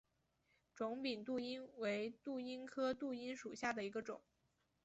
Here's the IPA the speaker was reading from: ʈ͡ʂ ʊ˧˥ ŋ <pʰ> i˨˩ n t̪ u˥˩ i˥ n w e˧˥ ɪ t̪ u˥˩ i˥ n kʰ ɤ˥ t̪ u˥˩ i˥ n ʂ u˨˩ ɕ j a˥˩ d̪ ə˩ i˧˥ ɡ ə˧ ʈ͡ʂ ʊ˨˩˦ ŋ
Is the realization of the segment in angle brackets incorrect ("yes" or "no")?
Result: yes